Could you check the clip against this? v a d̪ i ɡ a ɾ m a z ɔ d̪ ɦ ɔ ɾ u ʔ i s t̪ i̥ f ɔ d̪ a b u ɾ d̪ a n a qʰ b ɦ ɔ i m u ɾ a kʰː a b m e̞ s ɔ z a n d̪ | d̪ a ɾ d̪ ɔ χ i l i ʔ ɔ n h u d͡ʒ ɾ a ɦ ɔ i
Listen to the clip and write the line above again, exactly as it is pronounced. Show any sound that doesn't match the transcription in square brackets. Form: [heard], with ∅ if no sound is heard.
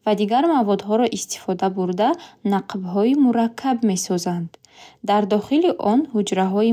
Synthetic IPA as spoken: v a d̪ i ɡ a ɾ m a [v] ɔ d̪ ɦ ɔ ɾ [ɔ] ʔ i s t̪ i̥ f ɔ d̪ a b u ɾ d̪ a n a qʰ b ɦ ɔ i m u ɾ a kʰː a b m e̞ s ɔ z a n d̪ | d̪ a ɾ d̪ ɔ χ i l i ʔ ɔ n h u d͡ʒ ɾ a ɦ ɔ i